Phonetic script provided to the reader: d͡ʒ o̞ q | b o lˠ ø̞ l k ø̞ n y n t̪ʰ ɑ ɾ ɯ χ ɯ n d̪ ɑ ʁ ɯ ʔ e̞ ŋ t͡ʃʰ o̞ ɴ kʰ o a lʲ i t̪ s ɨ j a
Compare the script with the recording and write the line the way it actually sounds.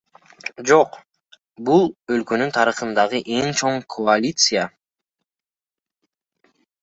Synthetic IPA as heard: d͡ʒ o̞ q | b u lˠ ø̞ l k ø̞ n y n t̪ʰ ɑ ɾ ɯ χ ɯ n d̪ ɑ ʁ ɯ ʔ e̞ ŋ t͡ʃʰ o̞ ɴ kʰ o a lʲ i t̪ s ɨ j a